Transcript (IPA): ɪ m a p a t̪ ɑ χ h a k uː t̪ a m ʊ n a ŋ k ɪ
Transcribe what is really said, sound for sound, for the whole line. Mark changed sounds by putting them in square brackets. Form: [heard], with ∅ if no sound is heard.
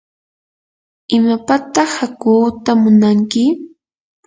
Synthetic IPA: ɪ m a p a t̪ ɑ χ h a k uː t̪ a m ʊ n a ŋ k ɪ